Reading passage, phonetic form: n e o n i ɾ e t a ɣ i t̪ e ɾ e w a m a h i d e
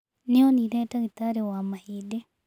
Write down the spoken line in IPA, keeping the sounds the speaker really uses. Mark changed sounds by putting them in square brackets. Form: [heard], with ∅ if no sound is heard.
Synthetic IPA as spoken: n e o n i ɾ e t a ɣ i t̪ [a] ɾ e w a m a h i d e